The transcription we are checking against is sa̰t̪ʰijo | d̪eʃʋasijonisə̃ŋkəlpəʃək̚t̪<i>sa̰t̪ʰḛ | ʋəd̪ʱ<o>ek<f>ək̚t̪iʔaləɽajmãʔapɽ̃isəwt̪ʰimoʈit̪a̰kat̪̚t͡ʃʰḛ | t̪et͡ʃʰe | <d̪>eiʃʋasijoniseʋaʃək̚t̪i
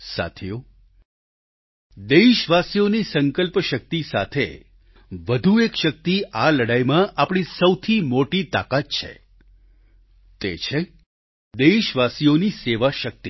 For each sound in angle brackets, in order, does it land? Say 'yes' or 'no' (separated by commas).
yes, no, no, yes